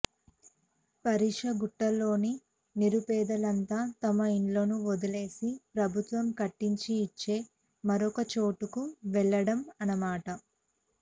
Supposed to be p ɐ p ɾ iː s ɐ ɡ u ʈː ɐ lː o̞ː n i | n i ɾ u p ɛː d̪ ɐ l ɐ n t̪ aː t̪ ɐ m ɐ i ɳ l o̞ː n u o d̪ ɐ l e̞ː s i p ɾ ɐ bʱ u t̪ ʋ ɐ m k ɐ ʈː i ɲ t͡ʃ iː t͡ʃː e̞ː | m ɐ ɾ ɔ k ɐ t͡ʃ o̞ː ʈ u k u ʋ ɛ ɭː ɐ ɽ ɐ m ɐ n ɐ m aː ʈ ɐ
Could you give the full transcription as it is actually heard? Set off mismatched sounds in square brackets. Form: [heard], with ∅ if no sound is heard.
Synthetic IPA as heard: p ɐ [∅] ɾ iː [ʂ] ɐ ɡ u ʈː ɐ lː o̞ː n i | n i ɾ u p ɛː d̪ ɐ l ɐ n t̪ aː t̪ ɐ m ɐ i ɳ l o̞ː n u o d̪ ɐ l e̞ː s i p ɾ ɐ bʱ u t̪ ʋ ɐ m k ɐ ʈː i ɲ t͡ʃ iː t͡ʃː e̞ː | m ɐ ɾ ɔ k ɐ t͡ʃ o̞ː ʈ u k u ʋ ɛ ɭː ɐ ɽ ɐ m ɐ n ɐ m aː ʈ ɐ